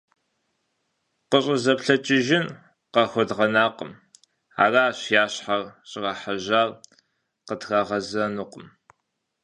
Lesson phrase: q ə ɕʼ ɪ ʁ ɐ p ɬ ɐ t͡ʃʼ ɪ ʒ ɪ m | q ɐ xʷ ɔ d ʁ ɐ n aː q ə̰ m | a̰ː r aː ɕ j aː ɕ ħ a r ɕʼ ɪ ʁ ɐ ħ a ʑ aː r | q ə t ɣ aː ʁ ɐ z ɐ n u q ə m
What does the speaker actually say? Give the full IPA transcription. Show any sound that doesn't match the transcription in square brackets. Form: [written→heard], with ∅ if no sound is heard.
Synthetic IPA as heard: q ə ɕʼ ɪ [ʁ→z] ɐ p ɬ ɐ t͡ʃʼ ɪ ʒ ɪ [m→n] | q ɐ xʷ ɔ d ʁ ɐ n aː q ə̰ m | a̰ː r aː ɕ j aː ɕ ħ a r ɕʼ ɪ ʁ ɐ ħ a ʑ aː r | q ə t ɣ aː ʁ ɐ z ɐ n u q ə m